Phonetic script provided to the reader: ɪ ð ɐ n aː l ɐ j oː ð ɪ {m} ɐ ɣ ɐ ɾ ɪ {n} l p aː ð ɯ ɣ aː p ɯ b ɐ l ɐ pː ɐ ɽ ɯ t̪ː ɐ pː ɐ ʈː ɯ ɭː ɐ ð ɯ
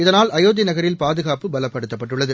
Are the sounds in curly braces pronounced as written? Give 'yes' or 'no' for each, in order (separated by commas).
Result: no, no